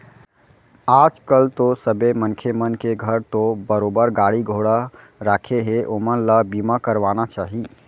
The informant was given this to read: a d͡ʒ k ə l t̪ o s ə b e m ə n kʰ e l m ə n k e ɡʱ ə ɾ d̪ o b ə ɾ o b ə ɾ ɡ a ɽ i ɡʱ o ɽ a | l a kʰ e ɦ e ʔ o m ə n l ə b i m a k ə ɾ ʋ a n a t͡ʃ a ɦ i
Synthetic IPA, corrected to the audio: a d͡ʒ k ə l t̪ o s ə b e m ə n kʰ e m ə n k e ɡʱ ə ɾ t̪ o b ə ɾ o b ə ɾ ɡ a ɽ i ɡʱ o ɽ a | ɾ a kʰ e ɦ e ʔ o m ə n l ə b i m a k ə ɾ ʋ a n a t͡ʃ a ɦ i